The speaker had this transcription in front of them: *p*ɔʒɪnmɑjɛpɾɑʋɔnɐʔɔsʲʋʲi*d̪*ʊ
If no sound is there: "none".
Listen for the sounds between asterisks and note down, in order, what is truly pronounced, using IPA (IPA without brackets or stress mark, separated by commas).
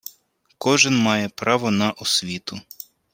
k, t̪